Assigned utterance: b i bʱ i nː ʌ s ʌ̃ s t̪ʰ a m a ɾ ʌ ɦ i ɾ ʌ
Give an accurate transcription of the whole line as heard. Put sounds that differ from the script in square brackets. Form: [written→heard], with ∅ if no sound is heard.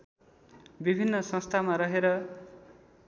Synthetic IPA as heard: b i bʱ i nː ʌ s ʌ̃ s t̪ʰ a m a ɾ ʌ ɦ [i→e] ɾ ʌ